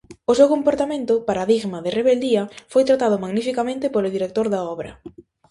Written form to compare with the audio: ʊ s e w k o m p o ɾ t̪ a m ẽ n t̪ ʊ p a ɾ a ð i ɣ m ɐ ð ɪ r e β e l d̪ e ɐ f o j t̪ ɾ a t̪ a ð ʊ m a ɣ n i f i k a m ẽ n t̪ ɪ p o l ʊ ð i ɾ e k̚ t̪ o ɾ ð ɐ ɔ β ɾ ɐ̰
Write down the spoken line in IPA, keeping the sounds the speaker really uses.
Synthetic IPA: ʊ s e w k o m p o ɾ t̪ a m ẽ n t̪ ʊ p a ɾ a ð i ɣ m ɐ ð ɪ r e β e l d̪ i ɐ f o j t̪ ɾ a t̪ a ð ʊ m a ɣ n i f i k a m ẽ n t̪ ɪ p o l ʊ ð i ɾ e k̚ t̪ o ɾ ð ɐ ɔ β ɾ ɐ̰